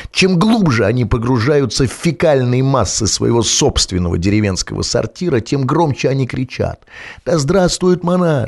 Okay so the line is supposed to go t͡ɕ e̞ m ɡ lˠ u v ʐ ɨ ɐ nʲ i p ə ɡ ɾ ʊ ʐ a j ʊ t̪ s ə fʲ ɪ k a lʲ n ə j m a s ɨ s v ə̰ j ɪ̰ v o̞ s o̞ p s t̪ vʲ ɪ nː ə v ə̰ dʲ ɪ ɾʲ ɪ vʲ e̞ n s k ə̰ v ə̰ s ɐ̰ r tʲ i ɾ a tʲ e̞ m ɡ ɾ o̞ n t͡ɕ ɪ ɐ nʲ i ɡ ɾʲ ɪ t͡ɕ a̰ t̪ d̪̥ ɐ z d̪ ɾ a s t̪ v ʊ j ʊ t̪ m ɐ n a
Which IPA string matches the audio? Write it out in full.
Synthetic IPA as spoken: t͡ɕ e̞ m ɡ lˠ u b ʐ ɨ ɐ nʲ i p ə ɡ ɾ ʊ ʐ a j ʊ t̪ s ə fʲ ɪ k a lʲ n ə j m a sː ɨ s v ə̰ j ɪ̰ v o̞ s o̞ p s t̪ vʲ ɪ nː ə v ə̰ dʲ ɪ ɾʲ ɪ vʲ e̞ n s k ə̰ v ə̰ s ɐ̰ r tʲ i ɾ ə tʲ e̞ m ɡ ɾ o̞ m t͡ɕ ɪ ɐ nʲ i k ɾʲ ɪ t͡ɕ a̰ t̪ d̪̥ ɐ z d̪ ɾ a s t̪ v ʊ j ʊ t̪ m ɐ n a